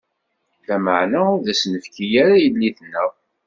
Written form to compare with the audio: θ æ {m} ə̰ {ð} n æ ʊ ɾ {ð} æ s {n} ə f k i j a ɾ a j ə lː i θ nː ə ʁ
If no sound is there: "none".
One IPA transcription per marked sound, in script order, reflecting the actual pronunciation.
m, ʕ, ð, n

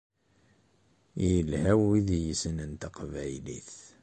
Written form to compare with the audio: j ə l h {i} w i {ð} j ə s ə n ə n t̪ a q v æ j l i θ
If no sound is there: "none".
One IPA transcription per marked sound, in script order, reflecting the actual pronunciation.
æ, ð

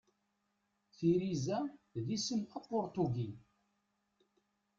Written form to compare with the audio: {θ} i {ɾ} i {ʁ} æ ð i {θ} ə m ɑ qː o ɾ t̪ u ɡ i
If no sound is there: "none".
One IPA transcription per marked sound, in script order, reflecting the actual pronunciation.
θ, ɾ, z, s

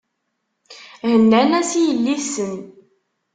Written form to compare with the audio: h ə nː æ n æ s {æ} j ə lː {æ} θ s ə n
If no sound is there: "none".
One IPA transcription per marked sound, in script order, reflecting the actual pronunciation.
i, i

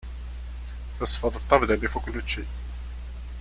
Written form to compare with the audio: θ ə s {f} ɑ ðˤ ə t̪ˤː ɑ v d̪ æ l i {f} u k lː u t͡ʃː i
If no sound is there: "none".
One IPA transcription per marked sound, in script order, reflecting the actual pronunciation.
f, f

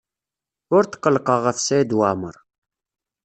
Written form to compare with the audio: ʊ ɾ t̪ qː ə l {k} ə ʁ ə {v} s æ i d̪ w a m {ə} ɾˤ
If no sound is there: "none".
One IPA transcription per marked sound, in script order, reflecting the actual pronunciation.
q, f, ə

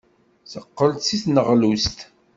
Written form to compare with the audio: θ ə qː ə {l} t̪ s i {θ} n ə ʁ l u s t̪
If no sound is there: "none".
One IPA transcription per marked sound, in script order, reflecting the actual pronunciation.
l, θ

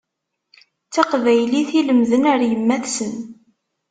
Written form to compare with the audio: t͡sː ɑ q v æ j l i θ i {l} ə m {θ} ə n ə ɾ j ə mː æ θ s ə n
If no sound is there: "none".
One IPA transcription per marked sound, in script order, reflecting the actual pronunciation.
l, ð

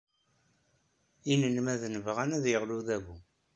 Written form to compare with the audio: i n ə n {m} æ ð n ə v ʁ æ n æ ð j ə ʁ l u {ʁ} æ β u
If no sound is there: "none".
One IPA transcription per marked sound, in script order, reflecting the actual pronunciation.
m, ð

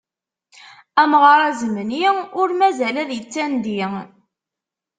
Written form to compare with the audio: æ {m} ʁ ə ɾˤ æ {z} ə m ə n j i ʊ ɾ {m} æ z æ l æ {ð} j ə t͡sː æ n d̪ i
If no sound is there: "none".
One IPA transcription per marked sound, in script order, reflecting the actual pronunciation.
m, z, m, ð

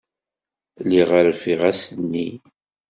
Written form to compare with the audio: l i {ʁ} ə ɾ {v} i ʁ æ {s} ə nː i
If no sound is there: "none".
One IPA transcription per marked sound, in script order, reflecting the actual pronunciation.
ʁ, f, s

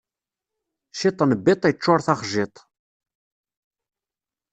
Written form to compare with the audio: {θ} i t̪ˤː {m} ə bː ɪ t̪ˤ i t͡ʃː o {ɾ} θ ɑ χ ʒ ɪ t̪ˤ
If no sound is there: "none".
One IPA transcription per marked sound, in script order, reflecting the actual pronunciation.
ʃ, n, ɾ

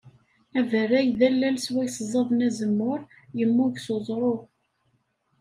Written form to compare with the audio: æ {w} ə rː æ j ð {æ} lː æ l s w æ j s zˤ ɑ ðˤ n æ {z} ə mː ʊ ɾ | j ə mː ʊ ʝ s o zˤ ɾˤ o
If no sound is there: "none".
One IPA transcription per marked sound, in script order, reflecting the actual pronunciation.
v, æ, z

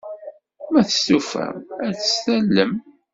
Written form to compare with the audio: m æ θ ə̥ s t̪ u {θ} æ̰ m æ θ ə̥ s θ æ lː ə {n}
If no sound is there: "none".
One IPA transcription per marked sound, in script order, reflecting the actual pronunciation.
f, m

